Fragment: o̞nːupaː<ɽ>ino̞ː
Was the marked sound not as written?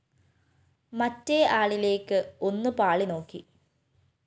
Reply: yes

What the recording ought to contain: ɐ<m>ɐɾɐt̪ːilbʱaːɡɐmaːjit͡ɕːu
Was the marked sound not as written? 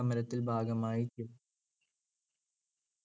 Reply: no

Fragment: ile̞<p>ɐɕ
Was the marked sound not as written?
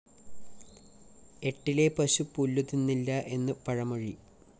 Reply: no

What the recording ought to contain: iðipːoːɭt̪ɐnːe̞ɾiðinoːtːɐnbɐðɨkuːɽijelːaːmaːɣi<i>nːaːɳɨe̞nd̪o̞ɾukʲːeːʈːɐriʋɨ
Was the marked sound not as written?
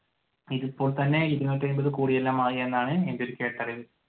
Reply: yes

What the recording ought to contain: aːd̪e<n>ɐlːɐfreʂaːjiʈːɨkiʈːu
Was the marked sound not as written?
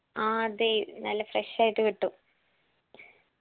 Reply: no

